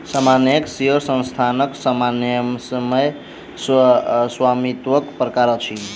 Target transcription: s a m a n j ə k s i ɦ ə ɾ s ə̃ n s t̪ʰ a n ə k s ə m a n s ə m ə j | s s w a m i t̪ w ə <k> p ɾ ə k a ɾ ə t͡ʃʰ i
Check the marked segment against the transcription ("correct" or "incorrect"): correct